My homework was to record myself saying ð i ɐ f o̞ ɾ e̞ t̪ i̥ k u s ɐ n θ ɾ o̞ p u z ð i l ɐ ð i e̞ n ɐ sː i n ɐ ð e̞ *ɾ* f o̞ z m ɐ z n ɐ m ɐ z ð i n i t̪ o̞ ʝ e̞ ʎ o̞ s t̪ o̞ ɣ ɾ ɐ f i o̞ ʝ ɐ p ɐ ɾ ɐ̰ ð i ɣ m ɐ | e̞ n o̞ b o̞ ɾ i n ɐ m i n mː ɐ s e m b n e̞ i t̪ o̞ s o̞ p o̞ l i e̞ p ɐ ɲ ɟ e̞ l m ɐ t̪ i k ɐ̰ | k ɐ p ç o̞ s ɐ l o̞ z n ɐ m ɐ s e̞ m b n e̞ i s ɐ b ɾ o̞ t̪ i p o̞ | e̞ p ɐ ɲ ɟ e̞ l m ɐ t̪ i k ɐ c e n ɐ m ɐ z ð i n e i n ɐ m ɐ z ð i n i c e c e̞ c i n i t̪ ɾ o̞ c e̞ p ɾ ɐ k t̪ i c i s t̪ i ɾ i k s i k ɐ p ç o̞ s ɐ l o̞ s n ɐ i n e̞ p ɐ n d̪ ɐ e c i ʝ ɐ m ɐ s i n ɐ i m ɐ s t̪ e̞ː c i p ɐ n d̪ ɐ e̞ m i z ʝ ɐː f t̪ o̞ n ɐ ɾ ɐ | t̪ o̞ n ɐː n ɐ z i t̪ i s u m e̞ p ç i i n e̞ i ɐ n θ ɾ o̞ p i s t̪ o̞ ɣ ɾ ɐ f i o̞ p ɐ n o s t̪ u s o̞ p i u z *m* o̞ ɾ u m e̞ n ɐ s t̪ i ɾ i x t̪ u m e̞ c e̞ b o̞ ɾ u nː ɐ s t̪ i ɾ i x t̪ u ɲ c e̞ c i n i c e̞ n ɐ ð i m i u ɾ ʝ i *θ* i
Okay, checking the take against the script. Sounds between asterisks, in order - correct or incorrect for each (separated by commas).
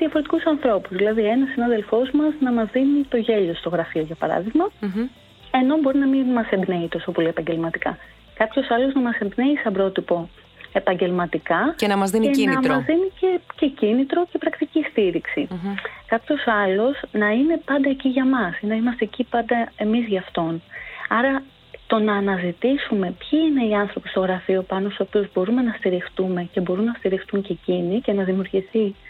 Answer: incorrect, incorrect, correct